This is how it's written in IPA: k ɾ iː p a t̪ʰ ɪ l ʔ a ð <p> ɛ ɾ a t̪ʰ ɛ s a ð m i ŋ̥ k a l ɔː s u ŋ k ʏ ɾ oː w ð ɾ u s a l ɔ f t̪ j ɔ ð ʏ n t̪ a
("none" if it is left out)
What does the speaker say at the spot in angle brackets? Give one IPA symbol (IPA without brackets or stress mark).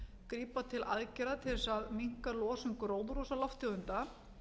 c